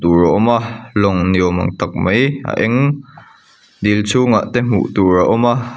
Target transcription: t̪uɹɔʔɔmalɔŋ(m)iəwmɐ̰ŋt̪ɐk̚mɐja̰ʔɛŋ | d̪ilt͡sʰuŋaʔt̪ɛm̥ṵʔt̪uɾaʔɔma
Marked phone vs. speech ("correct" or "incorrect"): incorrect